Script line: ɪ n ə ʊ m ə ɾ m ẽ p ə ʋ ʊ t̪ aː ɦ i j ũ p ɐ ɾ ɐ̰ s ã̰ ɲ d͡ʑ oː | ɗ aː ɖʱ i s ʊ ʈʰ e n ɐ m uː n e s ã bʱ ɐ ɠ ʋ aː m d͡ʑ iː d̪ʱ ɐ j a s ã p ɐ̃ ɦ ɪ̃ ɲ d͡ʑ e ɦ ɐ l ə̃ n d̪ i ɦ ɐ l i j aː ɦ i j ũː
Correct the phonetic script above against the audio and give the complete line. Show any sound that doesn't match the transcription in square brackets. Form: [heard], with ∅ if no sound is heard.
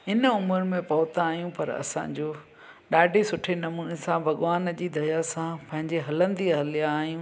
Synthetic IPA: ɪ n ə ʊ m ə ɾ m ẽ p [ɐ] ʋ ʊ t̪ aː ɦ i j ũ p ɐ ɾ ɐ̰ s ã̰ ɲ d͡ʑ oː | ɗ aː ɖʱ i s ʊ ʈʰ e n ɐ m uː n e s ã bʱ ɐ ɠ ʋ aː [n] d͡ʑ iː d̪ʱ ɐ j a s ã p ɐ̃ ɦ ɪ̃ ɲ d͡ʑ e ɦ ɐ l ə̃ n d̪ i ɦ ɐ l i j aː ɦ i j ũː

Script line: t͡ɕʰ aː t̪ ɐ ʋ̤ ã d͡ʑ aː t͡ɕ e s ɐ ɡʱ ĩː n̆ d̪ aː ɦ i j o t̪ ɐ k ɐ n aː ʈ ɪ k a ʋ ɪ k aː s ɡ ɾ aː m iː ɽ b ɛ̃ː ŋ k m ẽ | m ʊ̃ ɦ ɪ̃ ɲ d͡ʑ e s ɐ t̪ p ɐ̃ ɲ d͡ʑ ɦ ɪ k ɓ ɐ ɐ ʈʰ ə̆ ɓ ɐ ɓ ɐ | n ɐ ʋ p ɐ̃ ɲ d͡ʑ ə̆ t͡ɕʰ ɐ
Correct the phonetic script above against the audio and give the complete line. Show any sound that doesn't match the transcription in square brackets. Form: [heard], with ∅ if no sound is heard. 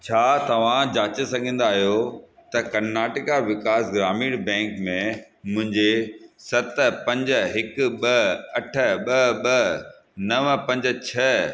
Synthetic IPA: t͡ɕʰ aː t̪ ɐ ʋ̤ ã d͡ʑ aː t͡ɕ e s ɐ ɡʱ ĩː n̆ d̪ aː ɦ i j o t̪ ɐ k ɐ n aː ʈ ɪ k a ʋ ɪ k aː s ɡ ɾ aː m iː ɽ b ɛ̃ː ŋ k m ẽ | m ʊ̃ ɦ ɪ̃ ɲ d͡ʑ e s ɐ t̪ p ɐ̃ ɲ d͡ʑ ɦ ɪ k ɓ ɐ ɐ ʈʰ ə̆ ɓ ɐ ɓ ɐ | n ɐ ʋ p ɐ̃ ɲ d͡ʑ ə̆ t͡ɕʰ ɐ

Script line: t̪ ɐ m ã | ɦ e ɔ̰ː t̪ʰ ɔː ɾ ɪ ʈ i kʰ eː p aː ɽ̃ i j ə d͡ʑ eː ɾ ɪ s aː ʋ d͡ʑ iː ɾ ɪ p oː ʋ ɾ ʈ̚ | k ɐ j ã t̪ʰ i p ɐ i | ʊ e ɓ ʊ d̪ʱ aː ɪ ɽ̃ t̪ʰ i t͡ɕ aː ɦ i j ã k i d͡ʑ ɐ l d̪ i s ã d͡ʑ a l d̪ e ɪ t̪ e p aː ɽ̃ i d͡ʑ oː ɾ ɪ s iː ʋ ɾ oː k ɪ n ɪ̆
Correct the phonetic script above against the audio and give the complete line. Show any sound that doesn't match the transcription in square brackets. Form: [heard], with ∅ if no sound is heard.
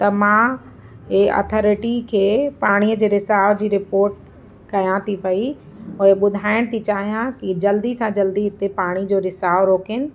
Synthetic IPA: t̪ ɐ m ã | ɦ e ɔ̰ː t̪ʰ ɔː ɾ ɪ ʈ i kʰ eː p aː ɽ̃ i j ə d͡ʑ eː ɾ ɪ s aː ʋ d͡ʑ iː ɾ ɪ p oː [∅] ɾ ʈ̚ | k ɐ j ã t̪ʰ i p ɐ i | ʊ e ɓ ʊ d̪ʱ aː ɪ ɽ̃ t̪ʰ i t͡ɕ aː ɦ i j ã k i d͡ʑ ɐ l d̪ i s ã d͡ʑ [ɐ] l d̪ [i] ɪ t̪ e p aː ɽ̃ i d͡ʑ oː ɾ ɪ s [aː] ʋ ɾ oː k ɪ n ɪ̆

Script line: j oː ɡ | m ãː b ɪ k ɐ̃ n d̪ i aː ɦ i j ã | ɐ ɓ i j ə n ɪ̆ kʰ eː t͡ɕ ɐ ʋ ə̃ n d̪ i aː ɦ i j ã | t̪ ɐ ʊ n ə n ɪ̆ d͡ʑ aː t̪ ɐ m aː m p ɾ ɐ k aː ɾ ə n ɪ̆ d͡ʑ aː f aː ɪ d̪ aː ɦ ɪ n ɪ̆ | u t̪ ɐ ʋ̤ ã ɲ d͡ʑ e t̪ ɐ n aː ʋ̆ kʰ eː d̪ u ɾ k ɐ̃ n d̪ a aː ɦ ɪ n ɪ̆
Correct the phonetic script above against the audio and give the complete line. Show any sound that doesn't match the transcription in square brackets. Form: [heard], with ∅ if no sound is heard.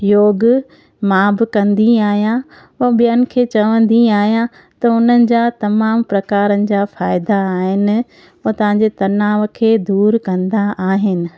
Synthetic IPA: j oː ɡ | m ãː b ɪ k ɐ̃ n d̪ i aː ɦ i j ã | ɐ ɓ i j ə n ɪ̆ kʰ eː t͡ɕ ɐ ʋ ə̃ n d̪ i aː ɦ i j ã | t̪ ɐ ʊ n ə n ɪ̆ d͡ʑ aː t̪ ɐ m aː m p ɾ ɐ k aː ɾ ə n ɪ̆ d͡ʑ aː f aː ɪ d̪ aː ɦ ɪ n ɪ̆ | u t̪ ɐ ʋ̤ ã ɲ d͡ʑ e t̪ ɐ n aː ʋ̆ kʰ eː d̪ [uː] ɾ k ɐ̃ n d̪ a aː ɦ ɪ n ɪ̆

